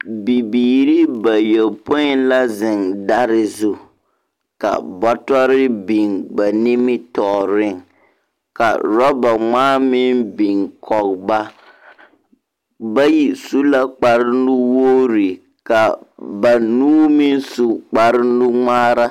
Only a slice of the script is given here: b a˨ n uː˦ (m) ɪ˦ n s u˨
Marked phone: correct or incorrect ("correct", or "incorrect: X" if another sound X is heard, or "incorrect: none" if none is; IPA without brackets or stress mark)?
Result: correct